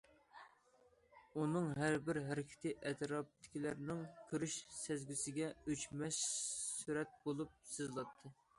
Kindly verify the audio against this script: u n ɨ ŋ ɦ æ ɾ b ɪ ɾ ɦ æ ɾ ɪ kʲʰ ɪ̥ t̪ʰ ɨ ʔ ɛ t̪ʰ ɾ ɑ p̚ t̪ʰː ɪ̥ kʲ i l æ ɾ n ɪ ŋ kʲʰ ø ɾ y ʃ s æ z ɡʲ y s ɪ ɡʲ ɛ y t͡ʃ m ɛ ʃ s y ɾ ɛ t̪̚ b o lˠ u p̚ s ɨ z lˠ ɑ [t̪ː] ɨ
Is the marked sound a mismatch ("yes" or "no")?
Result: yes